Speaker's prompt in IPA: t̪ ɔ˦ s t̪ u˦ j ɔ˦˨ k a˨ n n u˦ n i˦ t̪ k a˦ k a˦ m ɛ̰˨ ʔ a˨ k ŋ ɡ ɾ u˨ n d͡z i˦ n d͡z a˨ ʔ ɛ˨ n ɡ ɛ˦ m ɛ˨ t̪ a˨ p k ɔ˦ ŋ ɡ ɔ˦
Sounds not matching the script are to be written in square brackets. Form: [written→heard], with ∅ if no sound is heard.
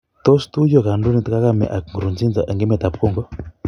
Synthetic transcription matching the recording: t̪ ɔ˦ s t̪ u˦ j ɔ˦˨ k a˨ n [n→d] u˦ n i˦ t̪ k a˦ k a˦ m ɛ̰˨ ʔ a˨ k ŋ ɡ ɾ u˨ n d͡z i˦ n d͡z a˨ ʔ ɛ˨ [n→ŋ] ɡ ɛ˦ m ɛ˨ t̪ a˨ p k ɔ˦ ŋ ɡ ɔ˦